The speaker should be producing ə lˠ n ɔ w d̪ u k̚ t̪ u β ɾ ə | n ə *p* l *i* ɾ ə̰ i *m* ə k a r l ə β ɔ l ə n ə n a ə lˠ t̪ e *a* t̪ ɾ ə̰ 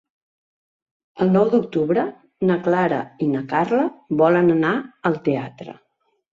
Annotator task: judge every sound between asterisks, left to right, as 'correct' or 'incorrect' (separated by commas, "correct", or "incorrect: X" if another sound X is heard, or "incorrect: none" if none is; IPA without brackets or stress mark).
incorrect: k, incorrect: a, incorrect: n, correct